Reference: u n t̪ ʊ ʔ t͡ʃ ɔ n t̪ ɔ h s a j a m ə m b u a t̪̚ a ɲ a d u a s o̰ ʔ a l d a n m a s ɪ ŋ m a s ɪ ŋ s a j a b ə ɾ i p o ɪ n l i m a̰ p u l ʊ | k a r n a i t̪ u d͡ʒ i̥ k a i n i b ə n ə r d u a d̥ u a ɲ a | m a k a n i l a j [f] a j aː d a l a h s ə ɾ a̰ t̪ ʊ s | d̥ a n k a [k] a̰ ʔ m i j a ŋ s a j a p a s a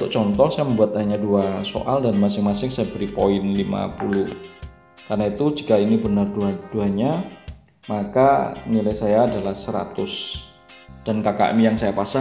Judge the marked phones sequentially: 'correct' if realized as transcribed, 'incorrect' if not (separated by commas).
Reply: incorrect, correct